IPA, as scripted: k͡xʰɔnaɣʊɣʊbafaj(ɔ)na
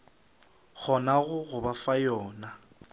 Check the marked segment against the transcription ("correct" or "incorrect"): incorrect